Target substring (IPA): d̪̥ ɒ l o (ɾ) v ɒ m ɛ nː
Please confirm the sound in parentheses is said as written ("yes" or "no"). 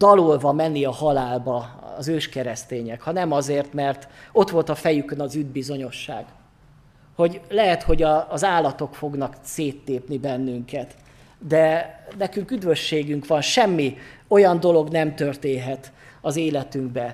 no